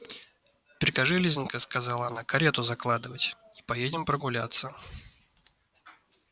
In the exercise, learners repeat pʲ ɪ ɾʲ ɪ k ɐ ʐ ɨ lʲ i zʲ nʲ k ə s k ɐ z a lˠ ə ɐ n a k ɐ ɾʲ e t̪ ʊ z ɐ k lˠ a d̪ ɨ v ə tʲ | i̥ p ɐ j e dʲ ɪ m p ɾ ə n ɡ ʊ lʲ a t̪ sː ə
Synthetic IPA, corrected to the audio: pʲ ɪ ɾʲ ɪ k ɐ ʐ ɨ lʲ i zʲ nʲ k ə s k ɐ z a lˠ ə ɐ n a k ɐ ɾʲ e t̪ ʊ z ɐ k lˠ a d̪ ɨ v ə tʲ | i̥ p ɐ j e dʲ ɪ m p ɾ ə ɡ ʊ lʲ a t̪ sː ə